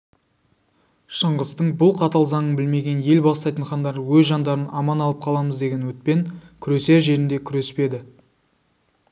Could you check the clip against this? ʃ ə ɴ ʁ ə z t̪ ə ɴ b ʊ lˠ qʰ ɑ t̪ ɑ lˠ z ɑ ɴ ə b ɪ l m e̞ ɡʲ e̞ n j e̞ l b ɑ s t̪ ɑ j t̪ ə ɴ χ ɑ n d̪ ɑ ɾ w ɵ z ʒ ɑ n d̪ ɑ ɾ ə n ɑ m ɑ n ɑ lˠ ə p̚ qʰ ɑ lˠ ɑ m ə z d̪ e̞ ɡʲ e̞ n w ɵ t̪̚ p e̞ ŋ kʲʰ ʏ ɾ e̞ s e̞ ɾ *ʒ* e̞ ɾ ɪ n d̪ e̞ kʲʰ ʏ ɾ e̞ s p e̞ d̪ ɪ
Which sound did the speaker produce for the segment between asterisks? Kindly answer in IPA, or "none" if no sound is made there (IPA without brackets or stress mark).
ʒ